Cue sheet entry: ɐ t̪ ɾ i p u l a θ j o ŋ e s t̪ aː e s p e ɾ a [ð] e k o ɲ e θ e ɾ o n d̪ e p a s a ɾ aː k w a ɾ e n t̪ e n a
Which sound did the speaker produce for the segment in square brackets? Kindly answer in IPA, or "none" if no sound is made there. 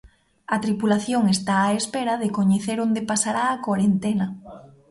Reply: ð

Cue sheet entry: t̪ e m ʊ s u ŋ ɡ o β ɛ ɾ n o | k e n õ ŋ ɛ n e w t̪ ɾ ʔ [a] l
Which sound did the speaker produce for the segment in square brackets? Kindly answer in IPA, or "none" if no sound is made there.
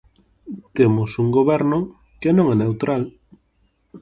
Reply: a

